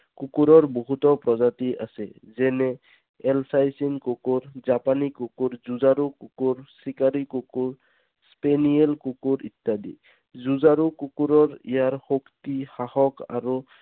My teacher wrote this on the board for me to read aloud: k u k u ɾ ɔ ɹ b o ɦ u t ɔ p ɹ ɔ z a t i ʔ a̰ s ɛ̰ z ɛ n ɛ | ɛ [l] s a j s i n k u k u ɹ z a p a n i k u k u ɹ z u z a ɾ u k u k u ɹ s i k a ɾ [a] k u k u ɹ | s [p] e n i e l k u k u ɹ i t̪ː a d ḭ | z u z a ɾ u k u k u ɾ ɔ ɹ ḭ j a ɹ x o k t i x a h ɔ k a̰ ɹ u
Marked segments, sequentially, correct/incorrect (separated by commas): correct, incorrect, correct